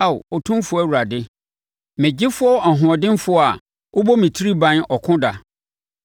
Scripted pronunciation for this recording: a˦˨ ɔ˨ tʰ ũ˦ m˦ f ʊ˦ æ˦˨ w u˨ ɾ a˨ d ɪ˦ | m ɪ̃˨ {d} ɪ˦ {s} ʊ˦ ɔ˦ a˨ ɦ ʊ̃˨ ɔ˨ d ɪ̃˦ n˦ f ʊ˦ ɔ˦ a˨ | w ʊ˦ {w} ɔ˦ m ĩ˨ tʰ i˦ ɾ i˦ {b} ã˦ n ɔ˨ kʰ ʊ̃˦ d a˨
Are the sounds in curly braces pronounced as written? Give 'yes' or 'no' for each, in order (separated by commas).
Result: no, no, no, yes